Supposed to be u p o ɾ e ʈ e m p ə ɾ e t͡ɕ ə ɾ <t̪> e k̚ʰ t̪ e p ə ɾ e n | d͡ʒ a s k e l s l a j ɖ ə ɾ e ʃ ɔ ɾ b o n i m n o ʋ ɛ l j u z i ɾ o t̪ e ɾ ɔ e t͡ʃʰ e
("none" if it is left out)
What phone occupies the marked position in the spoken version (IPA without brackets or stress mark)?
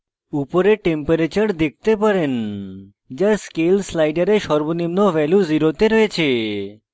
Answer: d̪